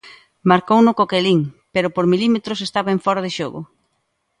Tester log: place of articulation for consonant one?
labial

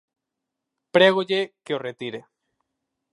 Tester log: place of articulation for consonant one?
labial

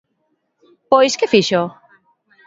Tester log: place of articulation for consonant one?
labial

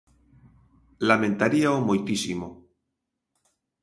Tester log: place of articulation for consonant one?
alveolar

